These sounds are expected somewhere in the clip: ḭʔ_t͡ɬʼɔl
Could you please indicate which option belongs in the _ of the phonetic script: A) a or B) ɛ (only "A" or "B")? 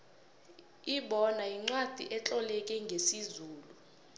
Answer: B